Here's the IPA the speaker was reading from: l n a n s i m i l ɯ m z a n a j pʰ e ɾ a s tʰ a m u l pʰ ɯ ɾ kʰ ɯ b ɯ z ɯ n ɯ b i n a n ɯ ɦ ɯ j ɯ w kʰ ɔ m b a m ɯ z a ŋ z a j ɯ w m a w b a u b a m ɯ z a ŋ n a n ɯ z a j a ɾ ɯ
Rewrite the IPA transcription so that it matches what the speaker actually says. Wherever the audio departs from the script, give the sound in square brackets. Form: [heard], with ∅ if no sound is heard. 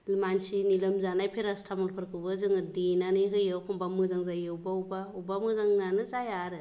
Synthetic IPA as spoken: l [m] a n s i [n] i l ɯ m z a n a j pʰ e ɾ a s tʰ a m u l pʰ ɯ ɾ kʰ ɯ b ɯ z ɯ [ŋ] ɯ [d] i n a n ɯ ɦ ɯ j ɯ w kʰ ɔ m b a m ɯ z a ŋ z a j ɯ w [b] a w b a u b a m ɯ z a ŋ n a n ɯ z a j a ɾ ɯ